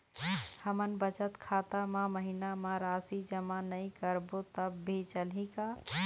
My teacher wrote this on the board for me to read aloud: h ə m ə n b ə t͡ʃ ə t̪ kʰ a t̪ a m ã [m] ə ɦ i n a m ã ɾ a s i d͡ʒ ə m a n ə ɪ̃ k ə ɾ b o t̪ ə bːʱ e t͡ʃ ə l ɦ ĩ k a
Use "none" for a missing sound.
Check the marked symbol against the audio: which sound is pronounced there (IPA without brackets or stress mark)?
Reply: m